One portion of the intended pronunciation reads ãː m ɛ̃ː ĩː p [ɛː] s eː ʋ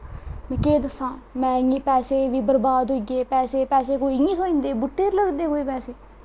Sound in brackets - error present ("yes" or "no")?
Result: no